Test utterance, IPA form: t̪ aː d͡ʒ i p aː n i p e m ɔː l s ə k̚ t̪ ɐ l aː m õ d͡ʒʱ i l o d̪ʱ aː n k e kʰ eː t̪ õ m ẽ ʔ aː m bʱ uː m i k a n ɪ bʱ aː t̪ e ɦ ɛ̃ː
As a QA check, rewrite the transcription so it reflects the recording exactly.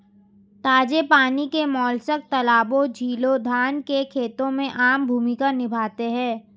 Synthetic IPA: t̪ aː d͡ʒ e p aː n i k e m ɔː l s ə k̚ t̪ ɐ l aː b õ d͡ʒʱ iː l o d̪ʱ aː n k e kʰ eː t̪ õ m ẽ ʔ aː m bʱ uː m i k a n ɪ bʱ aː t̪ e ɦ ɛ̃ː